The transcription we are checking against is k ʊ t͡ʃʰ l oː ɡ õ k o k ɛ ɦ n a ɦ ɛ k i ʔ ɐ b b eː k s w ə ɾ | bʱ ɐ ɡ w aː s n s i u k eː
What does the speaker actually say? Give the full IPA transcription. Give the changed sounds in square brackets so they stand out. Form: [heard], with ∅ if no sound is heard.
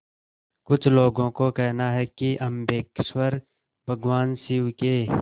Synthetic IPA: k ʊ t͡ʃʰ l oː ɡ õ k o k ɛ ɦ n a ɦ ɛ k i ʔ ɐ [m] b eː k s w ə ɾ | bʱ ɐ ɡ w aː [∅] n s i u k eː